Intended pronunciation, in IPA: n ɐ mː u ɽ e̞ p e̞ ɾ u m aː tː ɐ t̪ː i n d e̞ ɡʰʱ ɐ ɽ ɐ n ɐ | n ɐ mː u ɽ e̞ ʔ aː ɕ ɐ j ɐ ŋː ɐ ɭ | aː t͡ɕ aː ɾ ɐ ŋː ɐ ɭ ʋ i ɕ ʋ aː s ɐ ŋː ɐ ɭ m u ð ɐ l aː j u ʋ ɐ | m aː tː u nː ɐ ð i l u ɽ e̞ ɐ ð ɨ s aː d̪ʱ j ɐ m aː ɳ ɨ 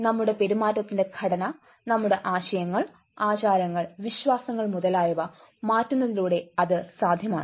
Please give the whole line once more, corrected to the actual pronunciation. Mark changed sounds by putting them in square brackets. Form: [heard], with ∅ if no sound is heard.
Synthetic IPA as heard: n ɐ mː u ɽ e̞ p e̞ ɾ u m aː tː ɐ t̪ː i n d e̞ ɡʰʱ ɐ ɽ ɐ n ɐ | n ɐ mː u ɽ e̞ ʔ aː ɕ ɐ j ɐ ŋː ɐ ɭ | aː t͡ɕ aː ɾ ɐ ŋː ɐ ɭ ʋ i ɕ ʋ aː s ɐ ŋː ɐ ɭ m u ð ɐ l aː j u ʋ ɐ | m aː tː u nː ɐ ð i l [uː] ɽ e̞ ɐ ð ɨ s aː d̪ʱ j ɐ m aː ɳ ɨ

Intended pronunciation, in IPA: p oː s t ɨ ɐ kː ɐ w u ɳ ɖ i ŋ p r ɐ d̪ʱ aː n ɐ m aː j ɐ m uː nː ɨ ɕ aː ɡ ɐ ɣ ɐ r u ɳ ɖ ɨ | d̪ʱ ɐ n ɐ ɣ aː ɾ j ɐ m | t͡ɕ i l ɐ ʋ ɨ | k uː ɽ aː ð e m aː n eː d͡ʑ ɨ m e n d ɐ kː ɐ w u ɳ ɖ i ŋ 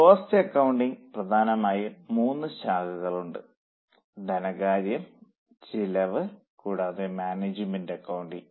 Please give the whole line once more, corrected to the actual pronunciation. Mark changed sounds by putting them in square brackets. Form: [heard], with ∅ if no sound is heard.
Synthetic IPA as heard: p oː s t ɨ ɐ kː ɐ w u ɳ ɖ i ŋ p r ɐ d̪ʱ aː n ɐ m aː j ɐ m uː nː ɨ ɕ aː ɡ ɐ ɣ ɐ [ɭ] u ɳ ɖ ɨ | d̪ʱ ɐ n ɐ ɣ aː ɾ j ɐ m | t͡ɕ i l ɐ ʋ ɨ | k uː ɽ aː ð e m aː n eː d͡ʑ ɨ m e n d ɐ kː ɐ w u ɳ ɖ i ŋ

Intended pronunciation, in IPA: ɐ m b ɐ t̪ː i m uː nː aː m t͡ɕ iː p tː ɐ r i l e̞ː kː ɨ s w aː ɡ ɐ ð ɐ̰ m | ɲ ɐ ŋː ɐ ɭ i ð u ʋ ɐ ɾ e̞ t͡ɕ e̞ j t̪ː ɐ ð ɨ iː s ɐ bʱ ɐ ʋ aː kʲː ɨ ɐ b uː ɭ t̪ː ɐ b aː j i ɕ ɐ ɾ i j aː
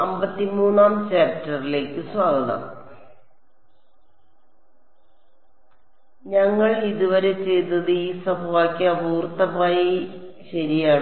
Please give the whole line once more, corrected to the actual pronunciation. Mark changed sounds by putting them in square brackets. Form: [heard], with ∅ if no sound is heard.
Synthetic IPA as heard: ɐ m b ɐ t̪ː i m uː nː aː m t͡ɕ [aː] p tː ɐ r i l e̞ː kː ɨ s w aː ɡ ɐ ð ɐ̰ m | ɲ ɐ ŋː ɐ ɭ i ð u ʋ ɐ ɾ e̞ t͡ɕ e̞ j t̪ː ɐ ð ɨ iː s ɐ bʱ ɐ ʋ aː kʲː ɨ ɐ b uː [r] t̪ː ɐ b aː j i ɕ ɐ ɾ i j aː

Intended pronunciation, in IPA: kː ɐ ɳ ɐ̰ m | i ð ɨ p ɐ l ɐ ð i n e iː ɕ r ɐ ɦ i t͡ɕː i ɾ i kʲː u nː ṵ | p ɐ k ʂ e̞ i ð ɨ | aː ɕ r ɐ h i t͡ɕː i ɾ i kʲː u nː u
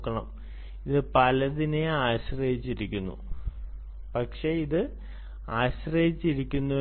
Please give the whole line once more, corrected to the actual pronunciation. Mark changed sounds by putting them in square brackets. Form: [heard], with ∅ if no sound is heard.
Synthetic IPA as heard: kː ɐ ɳ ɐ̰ m | i ð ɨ p ɐ l ɐ ð i n e [aː] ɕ r ɐ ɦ i t͡ɕː i ɾ i kʲː u nː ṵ | p ɐ k ʂ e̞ i ð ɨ | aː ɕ r ɐ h i t͡ɕː i ɾ i kʲː u nː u

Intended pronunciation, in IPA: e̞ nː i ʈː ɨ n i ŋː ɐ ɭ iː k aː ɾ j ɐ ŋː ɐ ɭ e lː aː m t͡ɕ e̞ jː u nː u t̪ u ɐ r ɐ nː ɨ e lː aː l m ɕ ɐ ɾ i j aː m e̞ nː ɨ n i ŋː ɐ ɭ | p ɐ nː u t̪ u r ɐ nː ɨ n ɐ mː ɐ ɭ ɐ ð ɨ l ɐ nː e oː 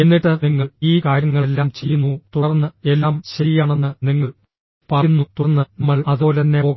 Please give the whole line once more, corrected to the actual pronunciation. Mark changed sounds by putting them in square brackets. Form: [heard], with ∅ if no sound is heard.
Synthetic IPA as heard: e̞ nː i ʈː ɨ n i ŋː ɐ ɭ iː k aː ɾ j ɐ ŋː ɐ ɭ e lː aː m t͡ɕ e̞ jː u nː u t̪ u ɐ r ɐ nː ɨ e lː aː [∅] m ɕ ɐ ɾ i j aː [ɳ] e̞ nː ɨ n i ŋː ɐ ɭ | p ɐ nː u t̪ u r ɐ nː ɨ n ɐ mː ɐ ɭ ɐ ð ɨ l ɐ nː e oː

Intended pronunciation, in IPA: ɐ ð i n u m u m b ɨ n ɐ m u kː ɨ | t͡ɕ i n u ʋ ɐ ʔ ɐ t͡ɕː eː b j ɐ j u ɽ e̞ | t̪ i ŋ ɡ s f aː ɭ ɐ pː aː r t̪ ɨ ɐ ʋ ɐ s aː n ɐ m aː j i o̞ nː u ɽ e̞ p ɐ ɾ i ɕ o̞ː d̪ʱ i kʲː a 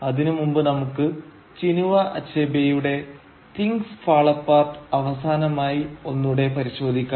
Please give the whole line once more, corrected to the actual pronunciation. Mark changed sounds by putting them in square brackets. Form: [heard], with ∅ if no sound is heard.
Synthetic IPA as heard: ɐ ð i n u m u m b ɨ n ɐ m u kː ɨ | t͡ɕ i n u ʋ ɐ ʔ ɐ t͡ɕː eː b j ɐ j u ɽ e̞ | t̪ i ŋ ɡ s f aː ɭ ɐ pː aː r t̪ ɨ ɐ ʋ ɐ s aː n ɐ m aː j i o̞ nː u ɽ e̞ p ɐ ɾ i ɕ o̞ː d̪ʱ i kʲː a

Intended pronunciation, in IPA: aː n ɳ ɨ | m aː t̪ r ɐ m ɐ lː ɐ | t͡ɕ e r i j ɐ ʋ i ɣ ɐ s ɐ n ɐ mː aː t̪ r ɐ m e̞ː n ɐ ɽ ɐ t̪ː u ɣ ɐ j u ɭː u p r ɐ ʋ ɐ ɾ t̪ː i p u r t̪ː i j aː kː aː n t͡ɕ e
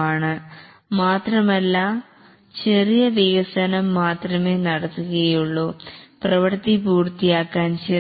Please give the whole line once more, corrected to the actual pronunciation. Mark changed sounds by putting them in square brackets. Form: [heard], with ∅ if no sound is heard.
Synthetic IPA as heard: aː [∅] ɳ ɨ | m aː t̪ r ɐ m ɐ lː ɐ | t͡ɕ e r i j ɐ ʋ i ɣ ɐ s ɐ n ɐ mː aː t̪ r ɐ m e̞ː n ɐ ɽ ɐ t̪ː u ɣ ɐ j u ɭː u p r ɐ ʋ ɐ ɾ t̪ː i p [uː] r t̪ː i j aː kː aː n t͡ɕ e

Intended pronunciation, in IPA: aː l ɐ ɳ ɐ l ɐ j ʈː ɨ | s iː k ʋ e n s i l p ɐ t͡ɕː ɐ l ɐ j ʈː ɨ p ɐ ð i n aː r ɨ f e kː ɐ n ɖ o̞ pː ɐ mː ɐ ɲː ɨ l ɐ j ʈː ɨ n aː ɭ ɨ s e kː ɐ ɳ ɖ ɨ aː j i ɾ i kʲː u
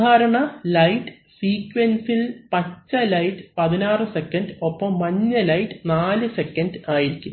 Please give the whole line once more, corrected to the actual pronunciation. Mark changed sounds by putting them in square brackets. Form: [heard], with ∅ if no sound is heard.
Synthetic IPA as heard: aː [ɾ] ɐ ɳ ɐ l ɐ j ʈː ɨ | s iː k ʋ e n s i l p ɐ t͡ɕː ɐ l ɐ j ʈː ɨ p ɐ ð i n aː r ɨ [s] e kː ɐ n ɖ o̞ pː ɐ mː ɐ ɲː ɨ l ɐ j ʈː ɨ n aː [l] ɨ s e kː ɐ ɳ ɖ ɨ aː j i ɾ i kʲː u

